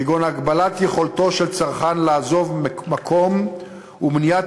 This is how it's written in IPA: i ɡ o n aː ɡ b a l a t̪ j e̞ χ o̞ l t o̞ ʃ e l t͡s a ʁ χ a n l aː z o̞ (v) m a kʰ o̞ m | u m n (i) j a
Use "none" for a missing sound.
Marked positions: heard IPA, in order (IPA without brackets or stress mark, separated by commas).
v, i